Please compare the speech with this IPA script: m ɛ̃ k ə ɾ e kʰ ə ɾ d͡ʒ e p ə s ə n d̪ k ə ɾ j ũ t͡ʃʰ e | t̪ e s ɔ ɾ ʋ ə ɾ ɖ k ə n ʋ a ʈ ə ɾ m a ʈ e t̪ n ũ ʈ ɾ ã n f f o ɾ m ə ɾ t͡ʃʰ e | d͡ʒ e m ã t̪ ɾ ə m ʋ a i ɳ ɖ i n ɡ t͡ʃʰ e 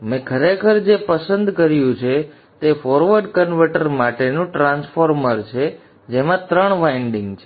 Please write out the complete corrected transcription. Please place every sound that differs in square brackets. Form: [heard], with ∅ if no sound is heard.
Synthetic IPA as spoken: m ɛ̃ [kʰ] ə ɾ e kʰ ə ɾ d͡ʒ e p ə s ə n d̪ k ə ɾ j ũ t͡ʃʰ e | t̪ e [f] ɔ ɾ ʋ ə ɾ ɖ k ə n ʋ [ə] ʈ ə ɾ m a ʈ e [∅] n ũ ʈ ɾ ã n [s] f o ɾ m ə ɾ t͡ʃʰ e | d͡ʒ e m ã t̪ ɾ ə [ɳ] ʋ a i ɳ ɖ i [ŋ] ɡ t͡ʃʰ e